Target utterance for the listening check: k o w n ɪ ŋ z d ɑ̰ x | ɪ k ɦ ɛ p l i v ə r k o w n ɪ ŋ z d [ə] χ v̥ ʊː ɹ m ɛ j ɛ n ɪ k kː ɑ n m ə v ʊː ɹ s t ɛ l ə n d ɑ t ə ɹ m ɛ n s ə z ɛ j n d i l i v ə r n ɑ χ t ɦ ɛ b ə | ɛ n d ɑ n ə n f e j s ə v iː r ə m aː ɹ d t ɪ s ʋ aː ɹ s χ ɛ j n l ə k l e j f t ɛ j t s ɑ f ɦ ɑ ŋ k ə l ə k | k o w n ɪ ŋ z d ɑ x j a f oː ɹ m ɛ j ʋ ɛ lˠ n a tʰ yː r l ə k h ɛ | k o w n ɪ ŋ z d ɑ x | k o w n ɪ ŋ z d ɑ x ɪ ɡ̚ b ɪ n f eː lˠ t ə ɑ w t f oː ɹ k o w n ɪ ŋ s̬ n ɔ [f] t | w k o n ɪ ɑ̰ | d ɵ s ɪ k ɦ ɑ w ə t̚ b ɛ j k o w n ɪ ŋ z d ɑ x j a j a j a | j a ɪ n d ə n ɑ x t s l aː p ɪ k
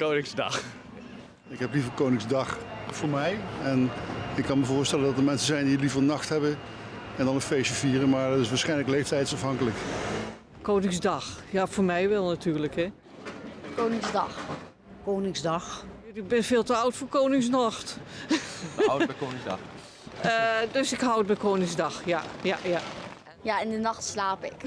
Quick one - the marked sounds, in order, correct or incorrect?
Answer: incorrect: ɑ, incorrect: x

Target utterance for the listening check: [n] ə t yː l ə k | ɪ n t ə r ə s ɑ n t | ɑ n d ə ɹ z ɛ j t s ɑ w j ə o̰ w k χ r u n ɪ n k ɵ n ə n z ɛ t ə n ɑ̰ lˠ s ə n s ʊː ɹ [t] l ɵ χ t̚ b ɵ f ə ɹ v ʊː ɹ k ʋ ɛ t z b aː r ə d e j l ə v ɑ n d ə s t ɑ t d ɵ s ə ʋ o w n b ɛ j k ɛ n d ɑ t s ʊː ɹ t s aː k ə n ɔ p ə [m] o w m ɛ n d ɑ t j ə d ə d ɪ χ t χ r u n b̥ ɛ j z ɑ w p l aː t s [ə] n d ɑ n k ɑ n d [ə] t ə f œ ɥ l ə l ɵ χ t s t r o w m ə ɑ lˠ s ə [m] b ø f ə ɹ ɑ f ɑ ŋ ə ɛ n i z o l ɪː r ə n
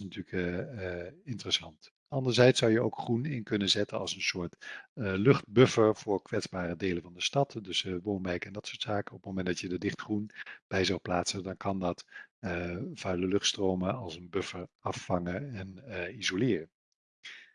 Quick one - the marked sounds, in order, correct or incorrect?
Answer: correct, correct, correct, correct, incorrect: ɑ, incorrect: n

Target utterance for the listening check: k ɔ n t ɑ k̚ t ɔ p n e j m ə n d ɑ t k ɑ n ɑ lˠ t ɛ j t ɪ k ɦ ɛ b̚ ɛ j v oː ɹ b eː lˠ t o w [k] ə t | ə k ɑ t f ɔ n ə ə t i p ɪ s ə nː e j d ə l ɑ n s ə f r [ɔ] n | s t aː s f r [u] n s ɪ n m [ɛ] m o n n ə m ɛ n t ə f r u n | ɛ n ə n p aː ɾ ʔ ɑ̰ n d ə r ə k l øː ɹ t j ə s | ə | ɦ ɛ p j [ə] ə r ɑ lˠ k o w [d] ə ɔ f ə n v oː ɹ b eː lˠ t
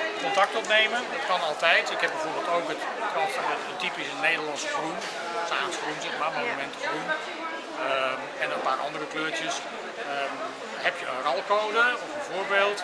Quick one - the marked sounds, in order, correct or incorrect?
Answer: correct, incorrect: u, correct, incorrect: a, correct, correct

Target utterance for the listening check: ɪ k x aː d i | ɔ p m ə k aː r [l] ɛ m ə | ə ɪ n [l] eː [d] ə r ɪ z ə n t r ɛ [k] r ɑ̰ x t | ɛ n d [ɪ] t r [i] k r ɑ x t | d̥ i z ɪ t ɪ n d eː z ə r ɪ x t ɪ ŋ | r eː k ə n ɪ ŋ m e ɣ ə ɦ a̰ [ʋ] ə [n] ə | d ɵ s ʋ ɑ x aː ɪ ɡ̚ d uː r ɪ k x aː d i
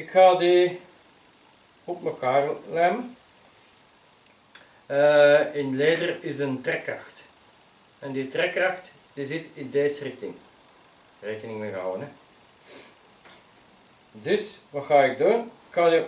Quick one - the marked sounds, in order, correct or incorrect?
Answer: correct, correct, correct, correct, incorrect: i, incorrect: ɛ, incorrect: w, correct

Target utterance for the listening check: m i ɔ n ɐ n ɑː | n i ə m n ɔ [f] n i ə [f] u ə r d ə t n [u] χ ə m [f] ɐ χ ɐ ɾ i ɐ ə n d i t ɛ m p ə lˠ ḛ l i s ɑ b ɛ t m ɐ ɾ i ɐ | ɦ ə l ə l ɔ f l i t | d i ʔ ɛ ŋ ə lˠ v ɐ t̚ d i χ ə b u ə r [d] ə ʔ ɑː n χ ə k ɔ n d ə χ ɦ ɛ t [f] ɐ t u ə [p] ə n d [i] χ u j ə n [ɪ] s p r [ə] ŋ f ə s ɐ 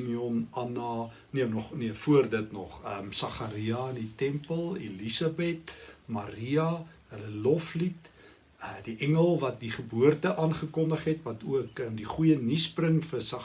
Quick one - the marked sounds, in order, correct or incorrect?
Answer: incorrect: χ, correct, incorrect: ɔ, incorrect: s, incorrect: t, incorrect: v, incorrect: k, correct, incorrect: i, correct

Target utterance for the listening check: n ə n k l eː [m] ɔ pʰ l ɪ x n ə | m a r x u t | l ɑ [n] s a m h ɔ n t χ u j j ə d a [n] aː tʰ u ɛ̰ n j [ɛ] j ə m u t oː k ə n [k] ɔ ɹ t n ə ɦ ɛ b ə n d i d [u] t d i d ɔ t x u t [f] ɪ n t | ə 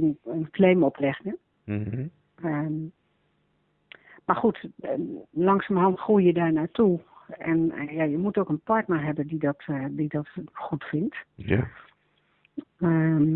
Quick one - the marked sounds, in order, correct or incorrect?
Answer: correct, incorrect: ŋ, correct, incorrect: a, incorrect: p, incorrect: ɔ, correct

